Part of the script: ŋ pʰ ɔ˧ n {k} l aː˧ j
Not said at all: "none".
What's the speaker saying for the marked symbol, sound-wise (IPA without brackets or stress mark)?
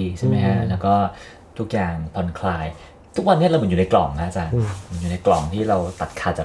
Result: kʰ